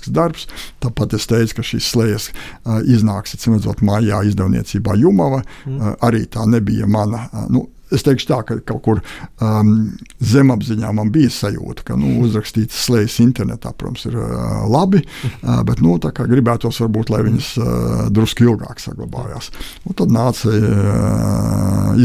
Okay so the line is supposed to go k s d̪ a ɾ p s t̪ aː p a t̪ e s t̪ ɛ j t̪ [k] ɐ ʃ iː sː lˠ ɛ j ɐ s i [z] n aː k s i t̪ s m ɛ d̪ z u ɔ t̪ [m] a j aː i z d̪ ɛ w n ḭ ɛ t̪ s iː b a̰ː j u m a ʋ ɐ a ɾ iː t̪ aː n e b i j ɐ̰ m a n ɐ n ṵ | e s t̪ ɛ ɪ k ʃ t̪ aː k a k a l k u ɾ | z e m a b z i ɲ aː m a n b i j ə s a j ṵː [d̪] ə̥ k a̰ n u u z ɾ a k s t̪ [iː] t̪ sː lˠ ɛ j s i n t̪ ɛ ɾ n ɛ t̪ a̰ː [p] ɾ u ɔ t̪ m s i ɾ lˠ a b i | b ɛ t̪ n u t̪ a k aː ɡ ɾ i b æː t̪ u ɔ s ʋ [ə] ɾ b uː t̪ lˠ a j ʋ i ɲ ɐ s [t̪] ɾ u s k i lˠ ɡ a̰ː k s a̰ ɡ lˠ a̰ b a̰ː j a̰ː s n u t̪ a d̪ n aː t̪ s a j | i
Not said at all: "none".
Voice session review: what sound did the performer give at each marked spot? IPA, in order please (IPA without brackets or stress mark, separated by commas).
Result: k, z, m, t̪, iː, p, a, d̪